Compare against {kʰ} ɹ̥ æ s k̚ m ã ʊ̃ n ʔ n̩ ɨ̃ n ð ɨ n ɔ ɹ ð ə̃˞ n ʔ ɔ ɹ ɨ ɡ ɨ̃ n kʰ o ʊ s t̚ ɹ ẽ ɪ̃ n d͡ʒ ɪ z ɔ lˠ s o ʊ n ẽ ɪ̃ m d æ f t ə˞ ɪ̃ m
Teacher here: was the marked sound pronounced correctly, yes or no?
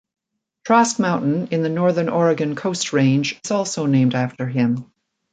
no